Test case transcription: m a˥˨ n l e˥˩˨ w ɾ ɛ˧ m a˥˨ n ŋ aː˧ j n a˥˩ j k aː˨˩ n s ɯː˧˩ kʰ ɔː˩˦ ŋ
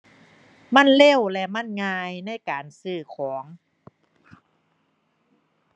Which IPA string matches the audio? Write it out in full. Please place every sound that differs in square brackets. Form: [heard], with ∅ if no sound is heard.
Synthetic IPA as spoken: m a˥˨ n l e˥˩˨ w [l] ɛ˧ m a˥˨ n ŋ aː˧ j n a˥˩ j k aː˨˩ n s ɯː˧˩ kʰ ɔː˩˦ ŋ